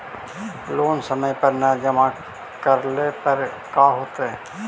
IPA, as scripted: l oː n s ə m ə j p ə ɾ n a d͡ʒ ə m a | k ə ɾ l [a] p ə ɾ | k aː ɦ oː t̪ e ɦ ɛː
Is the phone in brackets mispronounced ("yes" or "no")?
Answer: yes